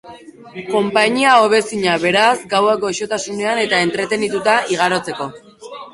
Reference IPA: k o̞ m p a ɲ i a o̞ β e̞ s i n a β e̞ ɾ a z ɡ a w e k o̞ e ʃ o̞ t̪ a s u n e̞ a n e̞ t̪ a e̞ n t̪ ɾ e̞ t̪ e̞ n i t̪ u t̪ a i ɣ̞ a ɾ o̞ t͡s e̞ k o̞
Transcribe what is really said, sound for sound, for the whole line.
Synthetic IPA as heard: k o̞ m p a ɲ i a o̞ β e̞ s i ɲ a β e̞ ɾ a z ɡ a w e k o̞ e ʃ o̞ t̪ a s u n e̞ a n e̞ t̪ a e̞ n t̪ ɾ e̞ t̪ e̞ n i t̪ u t̪ a i ɣ̞ a ɾ o̞ t͡s e̞ k o̞